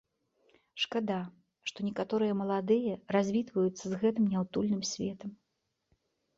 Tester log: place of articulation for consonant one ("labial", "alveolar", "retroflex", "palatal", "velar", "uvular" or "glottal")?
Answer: retroflex